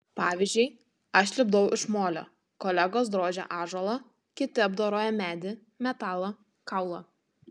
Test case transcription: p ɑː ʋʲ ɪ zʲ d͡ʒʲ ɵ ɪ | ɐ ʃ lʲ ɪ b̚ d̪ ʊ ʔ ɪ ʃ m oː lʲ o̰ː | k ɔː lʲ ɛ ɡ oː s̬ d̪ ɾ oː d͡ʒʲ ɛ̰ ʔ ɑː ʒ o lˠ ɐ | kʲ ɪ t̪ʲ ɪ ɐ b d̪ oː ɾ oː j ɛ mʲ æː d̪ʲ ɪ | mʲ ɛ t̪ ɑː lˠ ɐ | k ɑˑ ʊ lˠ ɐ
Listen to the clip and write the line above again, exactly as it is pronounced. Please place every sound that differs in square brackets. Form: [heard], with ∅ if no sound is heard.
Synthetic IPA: p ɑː ʋʲ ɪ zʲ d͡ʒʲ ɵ ɪ | ɐ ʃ lʲ ɪ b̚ d̪ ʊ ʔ ɪ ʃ m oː lʲ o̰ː | k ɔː lʲ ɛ ɡ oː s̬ d̪ ɾ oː d͡ʒʲ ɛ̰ ʔ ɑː ʒ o lˠ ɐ | kʲ ɪ t̪ʲ ɪ ɐ b d̪ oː ɾ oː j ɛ mʲ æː d̪ʲ ɪ | mʲ ɛ t̪ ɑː lˠ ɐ | k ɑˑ ʊ lˠ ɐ